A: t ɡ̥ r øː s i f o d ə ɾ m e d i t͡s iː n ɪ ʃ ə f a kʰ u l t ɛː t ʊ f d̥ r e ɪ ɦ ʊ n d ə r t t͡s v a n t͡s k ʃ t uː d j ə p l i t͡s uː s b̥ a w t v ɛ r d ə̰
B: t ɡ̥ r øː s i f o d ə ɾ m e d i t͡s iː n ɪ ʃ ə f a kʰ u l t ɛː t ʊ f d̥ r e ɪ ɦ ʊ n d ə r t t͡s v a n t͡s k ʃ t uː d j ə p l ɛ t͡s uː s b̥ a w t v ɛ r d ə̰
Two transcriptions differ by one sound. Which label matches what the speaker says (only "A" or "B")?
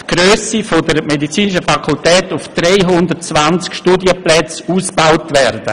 B